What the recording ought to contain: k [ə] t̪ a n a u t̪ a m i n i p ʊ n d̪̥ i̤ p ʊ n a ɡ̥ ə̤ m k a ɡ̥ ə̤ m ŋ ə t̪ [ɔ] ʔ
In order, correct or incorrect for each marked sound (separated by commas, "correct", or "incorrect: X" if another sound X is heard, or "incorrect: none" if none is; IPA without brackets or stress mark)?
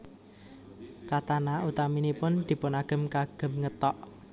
incorrect: a, correct